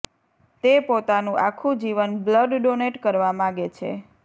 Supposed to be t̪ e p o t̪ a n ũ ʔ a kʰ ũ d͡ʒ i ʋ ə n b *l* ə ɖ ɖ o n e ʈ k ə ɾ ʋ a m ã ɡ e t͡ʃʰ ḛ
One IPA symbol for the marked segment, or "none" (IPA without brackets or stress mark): l